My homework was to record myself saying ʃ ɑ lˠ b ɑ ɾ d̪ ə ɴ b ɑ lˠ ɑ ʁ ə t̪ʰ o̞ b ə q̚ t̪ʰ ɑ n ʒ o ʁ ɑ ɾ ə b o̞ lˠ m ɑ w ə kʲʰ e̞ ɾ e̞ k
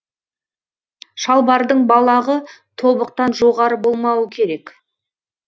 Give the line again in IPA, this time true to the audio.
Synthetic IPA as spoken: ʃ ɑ lˠ b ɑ ɾ d̪ ə ɴ b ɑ lˠ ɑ ʁ ə t̪ʰ o̞ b ə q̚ t̪ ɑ n ʒ o ʁ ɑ ɾ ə b o̞ lˠ m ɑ w ə kʲʰ e̞ ɾ e̞ k